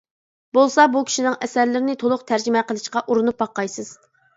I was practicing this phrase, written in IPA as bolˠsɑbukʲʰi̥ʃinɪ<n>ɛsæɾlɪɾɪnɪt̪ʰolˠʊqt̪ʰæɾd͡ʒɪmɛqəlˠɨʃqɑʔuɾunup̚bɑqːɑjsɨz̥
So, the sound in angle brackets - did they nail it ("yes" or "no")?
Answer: no